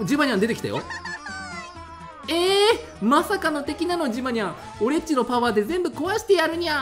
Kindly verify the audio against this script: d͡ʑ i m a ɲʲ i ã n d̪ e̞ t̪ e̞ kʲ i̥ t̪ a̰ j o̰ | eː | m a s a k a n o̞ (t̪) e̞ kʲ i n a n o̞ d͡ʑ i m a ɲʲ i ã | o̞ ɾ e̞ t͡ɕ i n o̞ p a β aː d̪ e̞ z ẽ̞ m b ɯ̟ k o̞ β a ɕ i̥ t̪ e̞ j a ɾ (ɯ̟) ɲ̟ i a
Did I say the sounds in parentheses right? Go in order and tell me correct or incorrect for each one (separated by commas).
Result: correct, correct